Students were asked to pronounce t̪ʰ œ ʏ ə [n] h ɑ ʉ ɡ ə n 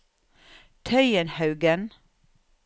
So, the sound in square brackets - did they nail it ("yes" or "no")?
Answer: yes